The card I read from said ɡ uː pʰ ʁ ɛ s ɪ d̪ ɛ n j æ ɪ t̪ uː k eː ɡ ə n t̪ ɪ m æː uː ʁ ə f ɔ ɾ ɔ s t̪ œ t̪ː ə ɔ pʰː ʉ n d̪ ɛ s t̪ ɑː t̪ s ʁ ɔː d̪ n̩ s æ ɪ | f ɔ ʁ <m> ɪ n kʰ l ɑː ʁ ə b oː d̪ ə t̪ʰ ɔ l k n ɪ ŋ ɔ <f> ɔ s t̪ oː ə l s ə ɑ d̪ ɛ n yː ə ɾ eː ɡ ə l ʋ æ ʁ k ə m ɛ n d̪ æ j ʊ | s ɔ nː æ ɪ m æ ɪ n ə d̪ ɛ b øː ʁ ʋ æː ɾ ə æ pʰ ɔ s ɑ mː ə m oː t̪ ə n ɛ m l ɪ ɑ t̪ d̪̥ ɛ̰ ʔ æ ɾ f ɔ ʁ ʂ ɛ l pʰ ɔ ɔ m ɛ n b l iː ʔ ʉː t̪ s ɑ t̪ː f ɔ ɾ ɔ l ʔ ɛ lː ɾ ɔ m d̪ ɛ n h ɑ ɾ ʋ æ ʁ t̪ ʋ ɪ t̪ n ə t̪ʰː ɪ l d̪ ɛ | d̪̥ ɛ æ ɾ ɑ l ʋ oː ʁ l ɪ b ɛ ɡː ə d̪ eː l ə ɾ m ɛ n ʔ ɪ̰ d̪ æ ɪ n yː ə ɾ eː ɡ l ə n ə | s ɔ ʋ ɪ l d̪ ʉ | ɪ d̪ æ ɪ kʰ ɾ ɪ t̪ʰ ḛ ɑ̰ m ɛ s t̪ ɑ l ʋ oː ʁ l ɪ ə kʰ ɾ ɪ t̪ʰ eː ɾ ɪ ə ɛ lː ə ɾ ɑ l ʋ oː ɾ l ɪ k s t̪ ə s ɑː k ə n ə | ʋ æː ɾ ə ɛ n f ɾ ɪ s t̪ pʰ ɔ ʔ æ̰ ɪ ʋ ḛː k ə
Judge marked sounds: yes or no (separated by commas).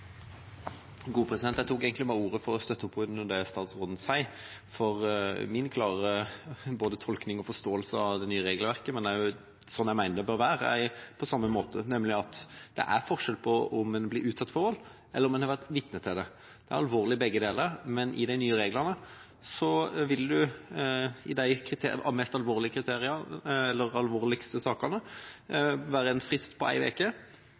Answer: yes, yes